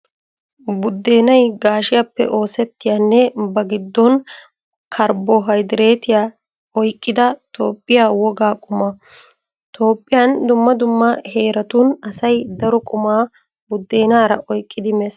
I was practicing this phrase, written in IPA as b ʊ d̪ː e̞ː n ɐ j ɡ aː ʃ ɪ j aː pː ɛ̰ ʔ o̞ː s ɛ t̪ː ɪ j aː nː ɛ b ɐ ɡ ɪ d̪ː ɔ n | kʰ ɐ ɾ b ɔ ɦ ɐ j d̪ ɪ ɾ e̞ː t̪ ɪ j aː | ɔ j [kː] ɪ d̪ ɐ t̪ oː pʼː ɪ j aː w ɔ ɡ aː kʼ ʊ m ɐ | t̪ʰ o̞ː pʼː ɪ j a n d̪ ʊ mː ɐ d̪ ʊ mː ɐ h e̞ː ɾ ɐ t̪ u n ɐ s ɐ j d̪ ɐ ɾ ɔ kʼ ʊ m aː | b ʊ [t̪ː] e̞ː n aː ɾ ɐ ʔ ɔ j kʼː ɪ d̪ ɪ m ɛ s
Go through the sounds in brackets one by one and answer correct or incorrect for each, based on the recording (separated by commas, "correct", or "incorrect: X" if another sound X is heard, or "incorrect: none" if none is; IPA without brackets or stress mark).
incorrect: kʼː, incorrect: d̪ː